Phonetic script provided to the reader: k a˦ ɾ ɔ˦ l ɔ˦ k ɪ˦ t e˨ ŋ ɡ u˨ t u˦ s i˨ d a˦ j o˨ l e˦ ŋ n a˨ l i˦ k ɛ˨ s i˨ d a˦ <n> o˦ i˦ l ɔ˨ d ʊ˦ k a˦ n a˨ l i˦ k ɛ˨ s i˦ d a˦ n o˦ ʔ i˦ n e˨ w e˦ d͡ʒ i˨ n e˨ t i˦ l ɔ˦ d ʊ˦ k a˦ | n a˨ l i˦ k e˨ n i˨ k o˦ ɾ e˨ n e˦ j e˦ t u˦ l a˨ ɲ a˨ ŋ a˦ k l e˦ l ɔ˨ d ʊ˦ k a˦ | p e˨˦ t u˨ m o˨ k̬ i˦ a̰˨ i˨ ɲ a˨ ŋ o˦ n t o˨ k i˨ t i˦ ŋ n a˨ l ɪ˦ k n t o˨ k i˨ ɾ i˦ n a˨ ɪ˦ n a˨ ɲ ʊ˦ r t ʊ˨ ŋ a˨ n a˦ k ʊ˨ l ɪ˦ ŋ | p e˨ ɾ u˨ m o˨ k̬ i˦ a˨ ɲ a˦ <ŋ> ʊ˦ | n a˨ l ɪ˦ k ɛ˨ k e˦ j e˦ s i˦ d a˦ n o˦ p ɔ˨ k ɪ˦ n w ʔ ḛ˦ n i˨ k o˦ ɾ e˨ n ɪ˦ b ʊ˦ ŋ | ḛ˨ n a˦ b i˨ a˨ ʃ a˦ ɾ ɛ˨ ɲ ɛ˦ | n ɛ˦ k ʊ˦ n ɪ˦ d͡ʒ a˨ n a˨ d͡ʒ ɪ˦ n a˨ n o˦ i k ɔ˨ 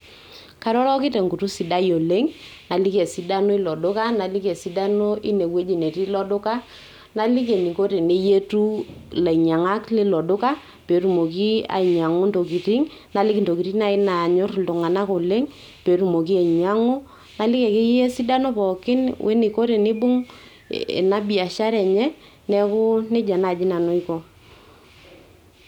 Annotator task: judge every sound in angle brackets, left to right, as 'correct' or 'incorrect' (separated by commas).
correct, correct